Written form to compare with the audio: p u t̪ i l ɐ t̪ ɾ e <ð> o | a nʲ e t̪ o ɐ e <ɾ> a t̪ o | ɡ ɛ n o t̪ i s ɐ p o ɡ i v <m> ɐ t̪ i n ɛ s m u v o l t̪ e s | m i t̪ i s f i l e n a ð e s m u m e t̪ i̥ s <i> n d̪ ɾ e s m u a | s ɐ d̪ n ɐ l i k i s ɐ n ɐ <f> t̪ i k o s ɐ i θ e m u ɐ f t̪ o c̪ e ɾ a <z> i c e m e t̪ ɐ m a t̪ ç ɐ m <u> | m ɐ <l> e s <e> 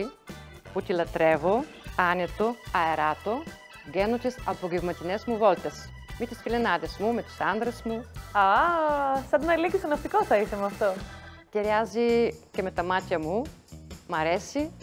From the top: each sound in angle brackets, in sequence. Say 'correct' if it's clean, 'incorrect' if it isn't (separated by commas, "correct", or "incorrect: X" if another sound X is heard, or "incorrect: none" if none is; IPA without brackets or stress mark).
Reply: incorrect: v, correct, correct, incorrect: a, correct, correct, correct, incorrect: ɾ, incorrect: i